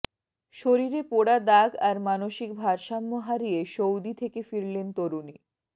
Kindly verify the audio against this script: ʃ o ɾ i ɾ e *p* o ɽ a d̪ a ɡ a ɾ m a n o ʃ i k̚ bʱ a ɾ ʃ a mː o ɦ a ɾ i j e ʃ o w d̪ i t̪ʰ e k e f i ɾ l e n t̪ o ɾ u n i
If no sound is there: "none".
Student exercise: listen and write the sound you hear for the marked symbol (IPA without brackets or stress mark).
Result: p